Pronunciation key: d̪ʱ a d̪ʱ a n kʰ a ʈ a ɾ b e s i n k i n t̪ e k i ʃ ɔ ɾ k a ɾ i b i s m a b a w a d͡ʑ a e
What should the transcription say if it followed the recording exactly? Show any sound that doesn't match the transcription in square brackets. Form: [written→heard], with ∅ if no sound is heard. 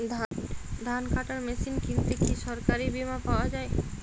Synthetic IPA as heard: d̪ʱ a d̪ʱ a n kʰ a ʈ a ɾ [b→m] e s i n k i n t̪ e k i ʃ ɔ ɾ k a ɾ i b i [s→∅] m a [b→p] a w a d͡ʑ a e